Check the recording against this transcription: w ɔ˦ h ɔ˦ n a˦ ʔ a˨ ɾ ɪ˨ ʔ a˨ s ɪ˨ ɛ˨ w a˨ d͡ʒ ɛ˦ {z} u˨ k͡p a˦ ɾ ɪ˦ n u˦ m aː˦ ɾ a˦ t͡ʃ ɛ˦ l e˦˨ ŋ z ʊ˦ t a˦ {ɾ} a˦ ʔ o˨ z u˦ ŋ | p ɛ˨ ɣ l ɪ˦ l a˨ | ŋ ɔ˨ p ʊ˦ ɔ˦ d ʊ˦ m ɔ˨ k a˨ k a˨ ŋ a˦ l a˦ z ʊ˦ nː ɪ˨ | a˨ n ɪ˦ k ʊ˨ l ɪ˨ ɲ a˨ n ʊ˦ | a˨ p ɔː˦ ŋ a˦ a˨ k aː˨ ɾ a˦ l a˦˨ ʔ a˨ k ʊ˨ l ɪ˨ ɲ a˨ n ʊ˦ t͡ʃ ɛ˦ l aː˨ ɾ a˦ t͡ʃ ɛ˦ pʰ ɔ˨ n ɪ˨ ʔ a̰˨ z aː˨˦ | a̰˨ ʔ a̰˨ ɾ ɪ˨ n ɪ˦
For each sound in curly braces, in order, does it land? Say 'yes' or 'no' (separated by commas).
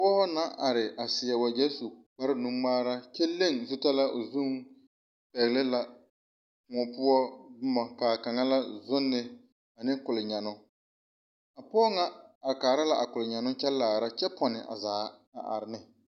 no, no